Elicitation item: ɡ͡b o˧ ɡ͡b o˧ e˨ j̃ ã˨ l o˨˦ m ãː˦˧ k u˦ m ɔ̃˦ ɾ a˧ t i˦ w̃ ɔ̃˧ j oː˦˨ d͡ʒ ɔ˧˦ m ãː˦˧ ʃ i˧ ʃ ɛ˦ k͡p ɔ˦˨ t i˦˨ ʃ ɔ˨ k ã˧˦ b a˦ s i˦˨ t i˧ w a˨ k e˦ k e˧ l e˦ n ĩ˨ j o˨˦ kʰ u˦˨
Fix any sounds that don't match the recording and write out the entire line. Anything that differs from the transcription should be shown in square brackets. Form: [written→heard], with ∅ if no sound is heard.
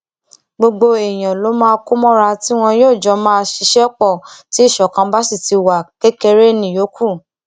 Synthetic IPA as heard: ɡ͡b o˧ ɡ͡b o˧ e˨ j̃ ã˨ l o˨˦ m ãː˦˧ k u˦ m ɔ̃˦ ɾ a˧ t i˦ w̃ ɔ̃˧ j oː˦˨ d͡ʒ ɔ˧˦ m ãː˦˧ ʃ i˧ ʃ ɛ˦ k͡p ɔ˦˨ t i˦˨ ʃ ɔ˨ k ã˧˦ b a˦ s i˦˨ t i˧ w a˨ k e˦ k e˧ [l→ɾ] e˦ n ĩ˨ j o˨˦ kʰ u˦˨